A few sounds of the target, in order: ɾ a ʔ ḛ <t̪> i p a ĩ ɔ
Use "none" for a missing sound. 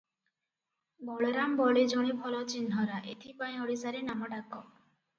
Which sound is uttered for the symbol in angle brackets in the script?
t̪ʰ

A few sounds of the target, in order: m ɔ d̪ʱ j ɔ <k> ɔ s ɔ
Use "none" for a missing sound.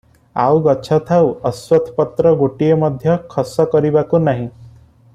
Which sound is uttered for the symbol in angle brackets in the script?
kʰ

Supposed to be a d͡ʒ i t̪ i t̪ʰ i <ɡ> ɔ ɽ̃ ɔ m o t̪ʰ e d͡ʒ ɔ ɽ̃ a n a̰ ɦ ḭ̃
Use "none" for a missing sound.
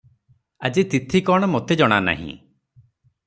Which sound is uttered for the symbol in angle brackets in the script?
k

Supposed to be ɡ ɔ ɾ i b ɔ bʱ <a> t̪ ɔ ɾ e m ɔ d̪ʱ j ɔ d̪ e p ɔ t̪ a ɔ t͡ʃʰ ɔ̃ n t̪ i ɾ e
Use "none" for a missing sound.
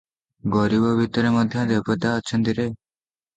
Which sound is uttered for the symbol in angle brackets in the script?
i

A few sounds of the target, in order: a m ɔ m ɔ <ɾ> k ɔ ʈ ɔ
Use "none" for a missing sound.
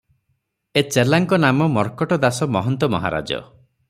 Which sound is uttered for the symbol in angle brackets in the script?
ɾ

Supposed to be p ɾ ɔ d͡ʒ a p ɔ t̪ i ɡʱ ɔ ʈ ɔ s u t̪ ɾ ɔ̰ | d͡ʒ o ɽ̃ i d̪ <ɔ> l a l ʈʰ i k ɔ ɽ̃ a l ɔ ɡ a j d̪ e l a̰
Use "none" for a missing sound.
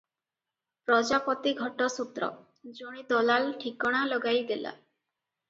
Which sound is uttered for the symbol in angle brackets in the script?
ɔ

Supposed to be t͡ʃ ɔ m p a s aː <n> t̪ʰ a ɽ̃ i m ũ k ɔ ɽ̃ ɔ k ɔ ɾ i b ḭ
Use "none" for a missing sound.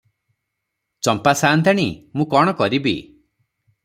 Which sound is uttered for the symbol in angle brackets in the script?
n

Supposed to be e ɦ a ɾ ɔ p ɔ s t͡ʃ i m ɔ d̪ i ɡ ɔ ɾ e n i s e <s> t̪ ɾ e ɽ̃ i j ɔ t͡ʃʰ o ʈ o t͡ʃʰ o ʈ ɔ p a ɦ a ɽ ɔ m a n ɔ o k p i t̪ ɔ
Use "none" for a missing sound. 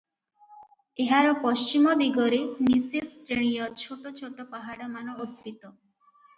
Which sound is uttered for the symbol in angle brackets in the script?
s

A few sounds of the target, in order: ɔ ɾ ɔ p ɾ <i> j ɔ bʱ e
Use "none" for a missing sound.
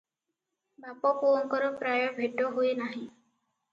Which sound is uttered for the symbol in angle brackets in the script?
a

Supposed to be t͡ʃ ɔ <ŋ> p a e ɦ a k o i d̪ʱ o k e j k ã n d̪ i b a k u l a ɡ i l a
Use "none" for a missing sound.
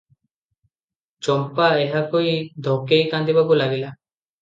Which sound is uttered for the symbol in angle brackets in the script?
m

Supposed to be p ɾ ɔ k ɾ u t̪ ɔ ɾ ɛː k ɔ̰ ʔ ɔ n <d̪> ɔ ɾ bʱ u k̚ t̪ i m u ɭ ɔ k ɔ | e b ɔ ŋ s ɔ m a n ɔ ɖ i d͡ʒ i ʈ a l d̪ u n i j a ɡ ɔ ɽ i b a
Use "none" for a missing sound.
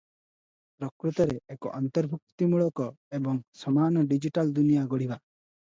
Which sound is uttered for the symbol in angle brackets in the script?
t̪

